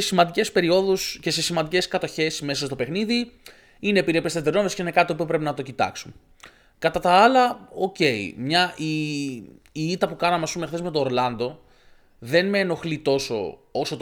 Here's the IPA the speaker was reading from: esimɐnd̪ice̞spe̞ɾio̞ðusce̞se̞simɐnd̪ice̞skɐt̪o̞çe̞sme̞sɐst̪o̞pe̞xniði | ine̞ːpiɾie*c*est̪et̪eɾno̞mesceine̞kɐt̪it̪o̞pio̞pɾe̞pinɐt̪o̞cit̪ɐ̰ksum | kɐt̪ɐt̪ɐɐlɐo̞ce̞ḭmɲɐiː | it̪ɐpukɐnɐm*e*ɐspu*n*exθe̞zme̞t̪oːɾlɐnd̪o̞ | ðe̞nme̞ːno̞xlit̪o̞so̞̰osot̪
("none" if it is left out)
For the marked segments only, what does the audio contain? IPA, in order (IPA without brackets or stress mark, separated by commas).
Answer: p, e, m